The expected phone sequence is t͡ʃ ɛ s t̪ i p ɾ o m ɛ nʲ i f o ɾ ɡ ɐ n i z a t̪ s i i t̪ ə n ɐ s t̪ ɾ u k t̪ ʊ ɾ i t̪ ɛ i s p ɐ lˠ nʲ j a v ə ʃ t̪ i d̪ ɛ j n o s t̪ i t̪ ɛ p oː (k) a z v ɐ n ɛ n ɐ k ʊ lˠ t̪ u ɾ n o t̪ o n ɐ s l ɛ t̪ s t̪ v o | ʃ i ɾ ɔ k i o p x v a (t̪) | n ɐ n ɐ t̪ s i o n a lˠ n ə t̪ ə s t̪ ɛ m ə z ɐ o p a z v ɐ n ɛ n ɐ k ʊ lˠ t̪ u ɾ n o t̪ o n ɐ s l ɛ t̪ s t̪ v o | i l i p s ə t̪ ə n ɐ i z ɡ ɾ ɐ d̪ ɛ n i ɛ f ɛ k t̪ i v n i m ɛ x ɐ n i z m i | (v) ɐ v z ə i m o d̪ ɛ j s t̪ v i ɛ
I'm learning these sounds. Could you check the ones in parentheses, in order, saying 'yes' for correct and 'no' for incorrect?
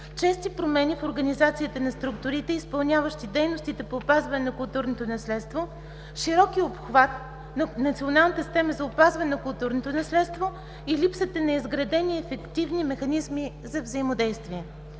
no, yes, no

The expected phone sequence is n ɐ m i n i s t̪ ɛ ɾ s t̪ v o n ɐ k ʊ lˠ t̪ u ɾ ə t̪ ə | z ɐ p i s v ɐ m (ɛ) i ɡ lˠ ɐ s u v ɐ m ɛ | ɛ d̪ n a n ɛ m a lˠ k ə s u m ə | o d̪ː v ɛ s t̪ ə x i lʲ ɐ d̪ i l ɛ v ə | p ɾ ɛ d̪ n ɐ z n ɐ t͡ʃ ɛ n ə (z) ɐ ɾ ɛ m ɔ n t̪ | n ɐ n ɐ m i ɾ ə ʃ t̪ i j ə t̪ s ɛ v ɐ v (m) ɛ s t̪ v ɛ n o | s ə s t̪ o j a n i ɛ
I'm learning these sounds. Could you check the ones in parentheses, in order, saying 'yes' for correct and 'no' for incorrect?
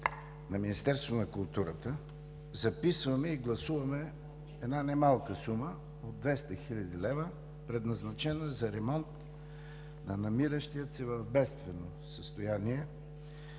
yes, yes, no

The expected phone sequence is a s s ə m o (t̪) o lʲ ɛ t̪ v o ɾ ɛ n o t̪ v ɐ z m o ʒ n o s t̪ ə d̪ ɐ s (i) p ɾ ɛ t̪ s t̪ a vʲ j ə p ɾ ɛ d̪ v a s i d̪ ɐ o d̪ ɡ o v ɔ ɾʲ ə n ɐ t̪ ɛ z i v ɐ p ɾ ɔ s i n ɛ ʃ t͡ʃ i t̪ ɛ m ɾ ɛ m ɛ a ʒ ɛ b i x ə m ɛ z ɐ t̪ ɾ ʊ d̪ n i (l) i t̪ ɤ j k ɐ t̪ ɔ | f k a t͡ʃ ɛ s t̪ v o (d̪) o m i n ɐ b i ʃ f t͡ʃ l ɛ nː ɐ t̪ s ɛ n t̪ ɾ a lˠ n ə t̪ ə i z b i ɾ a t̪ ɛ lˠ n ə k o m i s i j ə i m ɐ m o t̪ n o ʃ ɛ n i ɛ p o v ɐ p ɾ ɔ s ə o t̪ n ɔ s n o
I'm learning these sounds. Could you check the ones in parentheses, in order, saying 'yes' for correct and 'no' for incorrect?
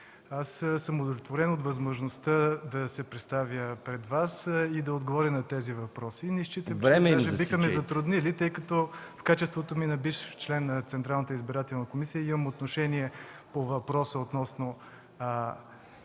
no, no, yes, no

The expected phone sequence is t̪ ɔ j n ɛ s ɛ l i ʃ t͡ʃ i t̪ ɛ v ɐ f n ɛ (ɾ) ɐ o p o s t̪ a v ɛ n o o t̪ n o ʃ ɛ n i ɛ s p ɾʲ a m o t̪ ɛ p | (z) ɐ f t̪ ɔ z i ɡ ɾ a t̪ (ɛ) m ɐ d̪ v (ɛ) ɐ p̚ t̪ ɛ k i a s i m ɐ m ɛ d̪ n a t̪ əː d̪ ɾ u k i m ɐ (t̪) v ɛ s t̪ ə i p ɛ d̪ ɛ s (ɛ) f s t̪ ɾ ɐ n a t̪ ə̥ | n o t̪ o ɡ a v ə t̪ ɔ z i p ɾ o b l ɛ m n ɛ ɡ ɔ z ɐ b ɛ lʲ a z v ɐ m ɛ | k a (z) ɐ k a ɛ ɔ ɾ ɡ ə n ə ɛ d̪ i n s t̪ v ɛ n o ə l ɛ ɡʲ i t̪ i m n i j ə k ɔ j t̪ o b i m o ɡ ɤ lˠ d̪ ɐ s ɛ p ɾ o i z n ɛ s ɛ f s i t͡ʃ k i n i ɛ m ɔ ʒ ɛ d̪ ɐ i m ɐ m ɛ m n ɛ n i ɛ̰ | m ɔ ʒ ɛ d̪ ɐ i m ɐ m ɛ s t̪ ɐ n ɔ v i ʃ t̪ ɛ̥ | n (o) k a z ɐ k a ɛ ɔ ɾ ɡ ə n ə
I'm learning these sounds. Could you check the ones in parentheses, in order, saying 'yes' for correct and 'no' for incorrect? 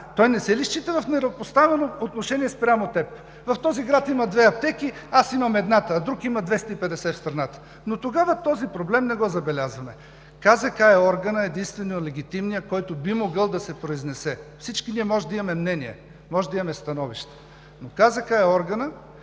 yes, no, no, yes, no, yes, yes, yes

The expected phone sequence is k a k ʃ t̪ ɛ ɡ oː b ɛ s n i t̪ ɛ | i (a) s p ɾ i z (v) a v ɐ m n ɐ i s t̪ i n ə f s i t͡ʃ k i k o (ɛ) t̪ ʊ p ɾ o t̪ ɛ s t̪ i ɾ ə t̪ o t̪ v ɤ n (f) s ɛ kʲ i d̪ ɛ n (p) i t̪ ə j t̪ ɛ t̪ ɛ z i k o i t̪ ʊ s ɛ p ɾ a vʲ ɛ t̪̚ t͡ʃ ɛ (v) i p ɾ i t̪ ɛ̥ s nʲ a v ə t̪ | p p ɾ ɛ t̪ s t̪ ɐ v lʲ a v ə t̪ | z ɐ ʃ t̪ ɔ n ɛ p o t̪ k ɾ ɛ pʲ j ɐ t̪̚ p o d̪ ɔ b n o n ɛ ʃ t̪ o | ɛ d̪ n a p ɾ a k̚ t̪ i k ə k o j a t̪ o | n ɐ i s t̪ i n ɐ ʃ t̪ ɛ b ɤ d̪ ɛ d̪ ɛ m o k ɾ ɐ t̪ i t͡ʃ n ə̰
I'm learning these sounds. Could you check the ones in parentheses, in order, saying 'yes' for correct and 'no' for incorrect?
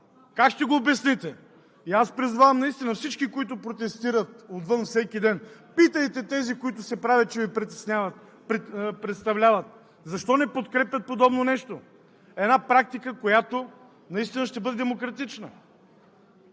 yes, yes, no, yes, yes, yes

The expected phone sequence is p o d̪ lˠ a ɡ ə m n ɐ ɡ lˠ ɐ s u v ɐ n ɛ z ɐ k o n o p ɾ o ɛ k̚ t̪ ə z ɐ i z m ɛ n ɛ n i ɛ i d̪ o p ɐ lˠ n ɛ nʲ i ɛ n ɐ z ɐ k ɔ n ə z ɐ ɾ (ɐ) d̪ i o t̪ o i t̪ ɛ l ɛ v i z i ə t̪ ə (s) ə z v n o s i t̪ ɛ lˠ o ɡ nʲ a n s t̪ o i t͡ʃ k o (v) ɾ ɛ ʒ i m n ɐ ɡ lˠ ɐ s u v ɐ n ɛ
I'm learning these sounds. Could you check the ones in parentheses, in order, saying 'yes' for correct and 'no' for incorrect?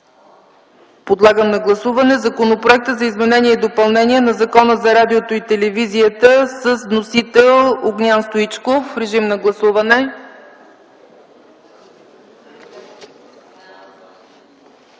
no, yes, no

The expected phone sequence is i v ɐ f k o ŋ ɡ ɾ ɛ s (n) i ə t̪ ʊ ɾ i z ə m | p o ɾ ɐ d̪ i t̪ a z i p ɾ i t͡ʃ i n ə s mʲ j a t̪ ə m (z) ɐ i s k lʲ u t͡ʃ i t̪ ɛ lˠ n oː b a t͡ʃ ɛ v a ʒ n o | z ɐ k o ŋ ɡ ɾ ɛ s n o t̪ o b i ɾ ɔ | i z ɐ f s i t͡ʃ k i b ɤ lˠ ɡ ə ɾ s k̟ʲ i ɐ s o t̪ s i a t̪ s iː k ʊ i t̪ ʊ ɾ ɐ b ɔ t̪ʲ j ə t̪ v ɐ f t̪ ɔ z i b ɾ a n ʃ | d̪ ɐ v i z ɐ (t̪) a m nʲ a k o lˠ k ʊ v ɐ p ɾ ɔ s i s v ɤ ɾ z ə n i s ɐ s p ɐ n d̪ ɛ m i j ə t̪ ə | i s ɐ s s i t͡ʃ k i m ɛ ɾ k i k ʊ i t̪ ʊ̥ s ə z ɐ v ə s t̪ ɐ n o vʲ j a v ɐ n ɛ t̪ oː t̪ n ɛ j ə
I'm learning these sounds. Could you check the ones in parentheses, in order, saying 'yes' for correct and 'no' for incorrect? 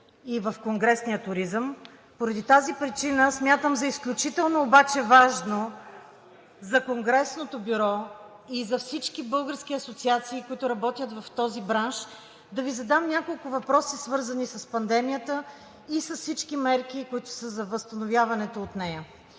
yes, yes, no

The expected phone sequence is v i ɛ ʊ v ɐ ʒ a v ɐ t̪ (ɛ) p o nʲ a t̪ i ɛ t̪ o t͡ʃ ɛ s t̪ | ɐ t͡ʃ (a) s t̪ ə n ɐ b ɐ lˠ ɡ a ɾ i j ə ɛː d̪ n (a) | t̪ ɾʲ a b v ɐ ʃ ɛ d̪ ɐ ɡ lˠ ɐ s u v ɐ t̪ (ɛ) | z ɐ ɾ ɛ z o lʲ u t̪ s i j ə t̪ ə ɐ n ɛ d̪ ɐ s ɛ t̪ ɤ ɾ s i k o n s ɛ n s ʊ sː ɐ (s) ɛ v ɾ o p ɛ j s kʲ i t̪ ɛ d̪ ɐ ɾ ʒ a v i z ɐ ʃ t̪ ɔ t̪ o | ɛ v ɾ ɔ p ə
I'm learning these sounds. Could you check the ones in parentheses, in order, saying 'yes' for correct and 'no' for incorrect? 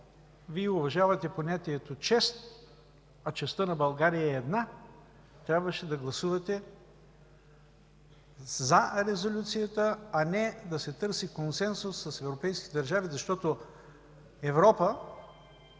yes, no, yes, yes, yes

